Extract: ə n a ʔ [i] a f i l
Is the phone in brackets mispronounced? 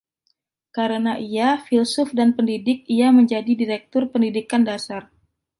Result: no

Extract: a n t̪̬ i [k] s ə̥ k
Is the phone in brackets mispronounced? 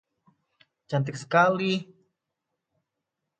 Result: no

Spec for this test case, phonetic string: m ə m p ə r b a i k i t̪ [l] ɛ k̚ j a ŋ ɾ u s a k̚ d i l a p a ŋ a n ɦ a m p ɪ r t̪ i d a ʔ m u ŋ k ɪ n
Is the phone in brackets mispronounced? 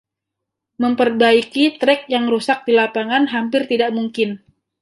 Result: yes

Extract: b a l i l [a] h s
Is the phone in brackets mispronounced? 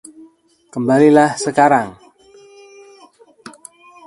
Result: no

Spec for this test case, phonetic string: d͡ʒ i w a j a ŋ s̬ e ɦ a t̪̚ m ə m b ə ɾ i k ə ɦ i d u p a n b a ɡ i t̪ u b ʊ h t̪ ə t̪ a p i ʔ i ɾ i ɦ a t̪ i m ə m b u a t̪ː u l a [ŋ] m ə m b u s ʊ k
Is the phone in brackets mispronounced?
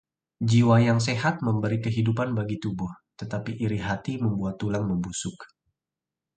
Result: no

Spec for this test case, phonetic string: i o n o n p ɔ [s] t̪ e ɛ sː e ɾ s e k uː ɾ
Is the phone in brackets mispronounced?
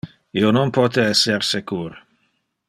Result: yes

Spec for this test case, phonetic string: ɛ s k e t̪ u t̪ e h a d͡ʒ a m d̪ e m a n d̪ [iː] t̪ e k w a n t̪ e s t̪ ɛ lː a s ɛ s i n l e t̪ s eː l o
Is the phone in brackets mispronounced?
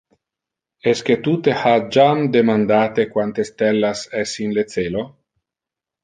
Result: yes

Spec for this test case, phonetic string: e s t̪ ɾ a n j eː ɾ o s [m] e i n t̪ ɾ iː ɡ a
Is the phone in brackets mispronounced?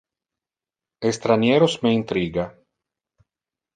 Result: no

